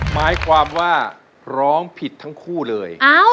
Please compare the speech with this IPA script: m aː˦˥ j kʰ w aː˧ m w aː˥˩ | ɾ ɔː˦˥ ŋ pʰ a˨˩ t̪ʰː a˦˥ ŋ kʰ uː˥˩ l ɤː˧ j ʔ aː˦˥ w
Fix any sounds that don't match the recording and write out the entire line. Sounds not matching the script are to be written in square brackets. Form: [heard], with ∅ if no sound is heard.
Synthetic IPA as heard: m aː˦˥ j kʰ w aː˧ m w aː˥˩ | ɾ ɔː˦˥ ŋ pʰ [i˨˩] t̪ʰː a˦˥ ŋ kʰ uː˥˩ l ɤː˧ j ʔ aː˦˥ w

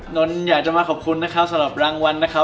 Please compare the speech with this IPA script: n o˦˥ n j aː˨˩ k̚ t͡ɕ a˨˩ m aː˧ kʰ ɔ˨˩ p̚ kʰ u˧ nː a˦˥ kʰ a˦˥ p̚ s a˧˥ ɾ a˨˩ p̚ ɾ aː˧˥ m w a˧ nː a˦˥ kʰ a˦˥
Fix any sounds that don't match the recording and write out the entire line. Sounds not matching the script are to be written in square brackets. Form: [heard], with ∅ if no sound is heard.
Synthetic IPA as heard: n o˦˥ n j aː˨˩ k̚ t͡ɕ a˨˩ m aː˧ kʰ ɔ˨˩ p̚ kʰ u˧ nː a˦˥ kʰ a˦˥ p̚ s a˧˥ ɾ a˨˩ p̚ ɾ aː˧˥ [ŋ] w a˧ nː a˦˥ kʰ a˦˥

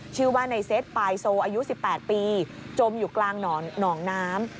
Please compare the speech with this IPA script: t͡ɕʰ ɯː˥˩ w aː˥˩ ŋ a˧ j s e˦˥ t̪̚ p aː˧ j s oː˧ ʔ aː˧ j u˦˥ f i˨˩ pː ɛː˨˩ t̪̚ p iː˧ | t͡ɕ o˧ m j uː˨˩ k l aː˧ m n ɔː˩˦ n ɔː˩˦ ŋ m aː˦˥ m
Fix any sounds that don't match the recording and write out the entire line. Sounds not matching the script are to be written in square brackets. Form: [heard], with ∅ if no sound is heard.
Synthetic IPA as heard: t͡ɕʰ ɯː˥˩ w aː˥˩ [n] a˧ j s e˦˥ t̪̚ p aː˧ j s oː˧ ʔ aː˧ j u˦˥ [s] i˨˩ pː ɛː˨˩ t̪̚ p iː˧ | t͡ɕ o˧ m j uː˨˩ k l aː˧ [ŋ] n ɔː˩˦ n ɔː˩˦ ŋ [n] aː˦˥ m

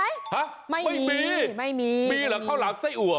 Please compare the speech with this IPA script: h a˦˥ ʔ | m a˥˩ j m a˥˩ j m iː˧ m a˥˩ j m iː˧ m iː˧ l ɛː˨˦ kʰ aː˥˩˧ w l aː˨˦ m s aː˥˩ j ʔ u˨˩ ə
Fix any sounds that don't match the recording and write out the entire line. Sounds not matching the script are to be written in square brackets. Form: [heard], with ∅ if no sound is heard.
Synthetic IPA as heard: h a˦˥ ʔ | m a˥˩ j m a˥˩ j m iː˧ m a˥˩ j m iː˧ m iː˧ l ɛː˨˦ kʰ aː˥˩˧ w l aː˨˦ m s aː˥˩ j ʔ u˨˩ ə

